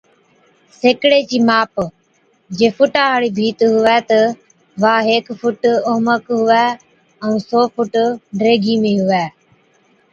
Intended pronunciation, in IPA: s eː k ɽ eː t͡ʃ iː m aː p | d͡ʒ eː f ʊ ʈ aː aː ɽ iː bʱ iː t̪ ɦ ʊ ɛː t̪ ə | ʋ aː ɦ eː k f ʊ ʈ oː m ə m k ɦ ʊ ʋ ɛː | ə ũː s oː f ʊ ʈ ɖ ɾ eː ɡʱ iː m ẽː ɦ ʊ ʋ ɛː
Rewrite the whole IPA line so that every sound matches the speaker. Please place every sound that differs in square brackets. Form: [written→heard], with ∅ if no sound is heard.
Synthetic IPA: s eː k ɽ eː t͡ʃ iː m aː p | d͡ʒ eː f ʊ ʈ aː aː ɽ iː bʱ iː t̪ ɦ ʊ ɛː t̪ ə | ʋ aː ɦ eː k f ʊ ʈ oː m ə [m→∅] k ɦ ʊ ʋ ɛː | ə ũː s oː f ʊ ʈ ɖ ɾ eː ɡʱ iː m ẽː ɦ ʊ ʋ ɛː